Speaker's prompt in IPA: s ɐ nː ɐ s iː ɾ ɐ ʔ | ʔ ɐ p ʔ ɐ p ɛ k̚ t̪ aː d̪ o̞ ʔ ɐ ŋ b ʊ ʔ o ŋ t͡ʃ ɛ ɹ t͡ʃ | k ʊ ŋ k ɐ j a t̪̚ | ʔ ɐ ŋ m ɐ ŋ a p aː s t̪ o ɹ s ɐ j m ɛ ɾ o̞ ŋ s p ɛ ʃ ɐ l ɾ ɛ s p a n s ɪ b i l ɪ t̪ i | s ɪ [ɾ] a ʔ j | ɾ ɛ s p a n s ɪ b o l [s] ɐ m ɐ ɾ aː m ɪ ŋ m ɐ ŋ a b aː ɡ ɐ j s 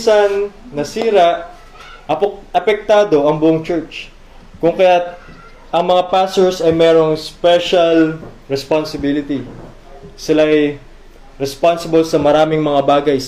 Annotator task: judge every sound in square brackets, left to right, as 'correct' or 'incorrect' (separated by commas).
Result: incorrect, correct